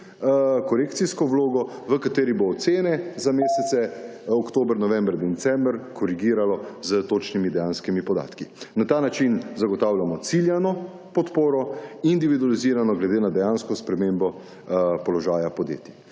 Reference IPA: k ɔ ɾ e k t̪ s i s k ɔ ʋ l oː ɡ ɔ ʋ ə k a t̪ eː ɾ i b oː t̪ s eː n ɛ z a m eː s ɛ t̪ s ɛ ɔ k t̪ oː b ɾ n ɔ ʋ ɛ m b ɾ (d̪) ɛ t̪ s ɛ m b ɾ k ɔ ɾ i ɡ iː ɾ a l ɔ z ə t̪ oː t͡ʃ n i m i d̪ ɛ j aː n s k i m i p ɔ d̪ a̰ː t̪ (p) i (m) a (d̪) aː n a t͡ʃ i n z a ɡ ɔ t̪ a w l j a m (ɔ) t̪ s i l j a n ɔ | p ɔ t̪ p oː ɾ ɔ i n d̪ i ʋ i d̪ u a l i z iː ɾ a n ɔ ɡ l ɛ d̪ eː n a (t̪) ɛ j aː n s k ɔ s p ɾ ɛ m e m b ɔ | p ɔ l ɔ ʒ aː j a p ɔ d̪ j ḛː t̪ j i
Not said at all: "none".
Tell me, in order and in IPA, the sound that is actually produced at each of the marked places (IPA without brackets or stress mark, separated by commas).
d̪, k, n, t̪, ɔ, d̪